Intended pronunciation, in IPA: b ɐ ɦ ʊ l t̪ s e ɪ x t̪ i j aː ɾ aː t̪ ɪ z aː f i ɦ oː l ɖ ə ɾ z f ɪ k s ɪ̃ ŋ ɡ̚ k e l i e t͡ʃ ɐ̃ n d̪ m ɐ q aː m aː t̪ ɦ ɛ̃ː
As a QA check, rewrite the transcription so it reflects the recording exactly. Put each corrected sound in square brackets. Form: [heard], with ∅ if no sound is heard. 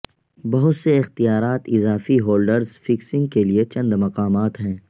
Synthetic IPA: b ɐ ɦ ʊ [∅] t̪ s e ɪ x t̪ i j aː ɾ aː t̪ ɪ z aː f i ɦ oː l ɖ ə ɾ z f ɪ k s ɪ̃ ŋ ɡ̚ k e l i e t͡ʃ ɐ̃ n d̪ m ɐ q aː m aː t̪ ɦ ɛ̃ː